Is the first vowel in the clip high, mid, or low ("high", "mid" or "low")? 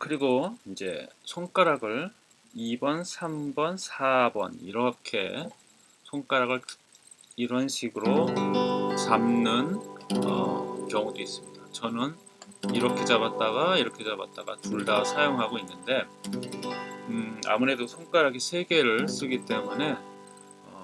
high